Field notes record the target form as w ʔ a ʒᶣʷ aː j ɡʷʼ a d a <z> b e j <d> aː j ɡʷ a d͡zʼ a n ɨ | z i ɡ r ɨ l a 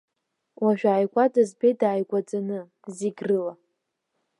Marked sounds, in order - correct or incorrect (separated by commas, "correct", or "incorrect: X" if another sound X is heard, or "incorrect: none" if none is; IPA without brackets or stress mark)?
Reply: correct, correct